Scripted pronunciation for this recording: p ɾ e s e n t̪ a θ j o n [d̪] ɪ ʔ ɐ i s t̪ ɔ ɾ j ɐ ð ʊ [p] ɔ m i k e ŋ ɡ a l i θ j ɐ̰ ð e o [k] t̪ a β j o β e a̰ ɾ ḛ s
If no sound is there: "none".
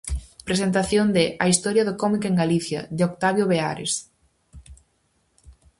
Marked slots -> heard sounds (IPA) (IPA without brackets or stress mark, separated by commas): d̪, k, k